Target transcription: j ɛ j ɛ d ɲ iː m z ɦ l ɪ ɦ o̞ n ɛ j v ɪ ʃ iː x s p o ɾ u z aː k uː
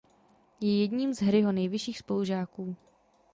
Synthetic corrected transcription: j ɛ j ɛ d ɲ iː m z ɦ ɾ ɪ ɦ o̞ n ɛ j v ɪ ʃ iː x s p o l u ʒ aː k uː